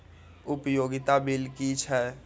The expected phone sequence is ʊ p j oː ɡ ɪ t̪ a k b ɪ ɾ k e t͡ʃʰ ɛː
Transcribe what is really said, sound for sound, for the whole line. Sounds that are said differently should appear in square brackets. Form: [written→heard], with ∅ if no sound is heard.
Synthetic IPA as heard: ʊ p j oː ɡ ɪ t̪ a [k→∅] b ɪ [ɾ→l] k [e→i] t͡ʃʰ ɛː